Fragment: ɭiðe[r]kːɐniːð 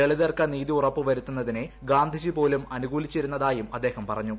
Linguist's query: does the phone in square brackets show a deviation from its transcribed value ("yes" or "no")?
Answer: no